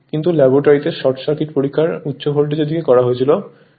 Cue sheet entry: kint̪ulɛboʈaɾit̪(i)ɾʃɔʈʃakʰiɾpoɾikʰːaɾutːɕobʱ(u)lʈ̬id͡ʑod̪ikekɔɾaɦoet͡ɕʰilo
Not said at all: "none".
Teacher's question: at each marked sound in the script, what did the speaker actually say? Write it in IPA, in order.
e, o

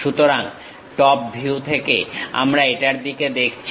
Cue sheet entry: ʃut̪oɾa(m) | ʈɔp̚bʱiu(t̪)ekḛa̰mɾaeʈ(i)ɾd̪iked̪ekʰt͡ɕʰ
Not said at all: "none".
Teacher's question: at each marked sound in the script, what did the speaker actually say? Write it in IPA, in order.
ŋ, t̪ʰ, a

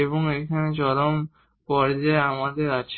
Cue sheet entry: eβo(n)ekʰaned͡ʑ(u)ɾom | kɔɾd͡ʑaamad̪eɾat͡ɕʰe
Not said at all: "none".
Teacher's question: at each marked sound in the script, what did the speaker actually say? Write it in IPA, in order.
ŋ, ɔ

